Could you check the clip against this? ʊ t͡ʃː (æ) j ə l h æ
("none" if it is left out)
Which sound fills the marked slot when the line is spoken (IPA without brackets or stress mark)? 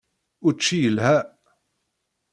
i